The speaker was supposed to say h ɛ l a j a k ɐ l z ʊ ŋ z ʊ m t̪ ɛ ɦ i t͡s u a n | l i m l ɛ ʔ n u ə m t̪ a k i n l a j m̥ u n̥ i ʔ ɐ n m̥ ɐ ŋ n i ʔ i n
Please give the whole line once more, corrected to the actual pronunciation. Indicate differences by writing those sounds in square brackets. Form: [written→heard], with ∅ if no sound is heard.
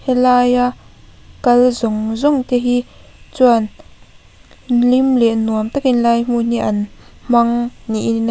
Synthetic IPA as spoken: h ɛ l a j a k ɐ l z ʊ ŋ z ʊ [m→ŋ] t̪ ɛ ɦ i t͡s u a n | l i m l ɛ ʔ n u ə m t̪ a k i n l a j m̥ u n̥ i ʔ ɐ n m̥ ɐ ŋ n i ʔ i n